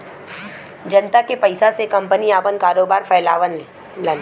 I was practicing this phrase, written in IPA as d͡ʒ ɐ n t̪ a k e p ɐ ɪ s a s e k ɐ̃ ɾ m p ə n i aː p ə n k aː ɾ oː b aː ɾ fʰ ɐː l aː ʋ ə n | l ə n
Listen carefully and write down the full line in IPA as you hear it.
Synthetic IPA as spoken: d͡ʒ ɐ n t̪ a k e p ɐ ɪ s a s e k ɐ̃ m p ə n i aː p ə n k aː ɾ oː b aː ɾ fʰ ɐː l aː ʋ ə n | l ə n